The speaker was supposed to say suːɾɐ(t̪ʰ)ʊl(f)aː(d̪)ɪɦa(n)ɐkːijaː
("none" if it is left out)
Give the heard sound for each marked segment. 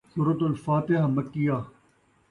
t̪, f, t̪, m

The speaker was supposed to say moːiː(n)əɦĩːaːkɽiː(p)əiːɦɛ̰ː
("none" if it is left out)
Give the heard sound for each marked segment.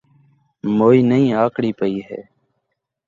n, p

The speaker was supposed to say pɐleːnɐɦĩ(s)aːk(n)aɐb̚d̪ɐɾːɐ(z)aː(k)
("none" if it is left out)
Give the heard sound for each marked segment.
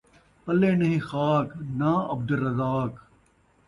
x, n, z, k

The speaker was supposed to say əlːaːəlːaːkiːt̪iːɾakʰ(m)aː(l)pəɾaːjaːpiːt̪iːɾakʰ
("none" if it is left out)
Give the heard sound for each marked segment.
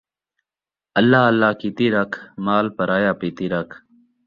m, l

